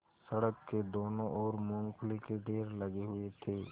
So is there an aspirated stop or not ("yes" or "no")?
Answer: yes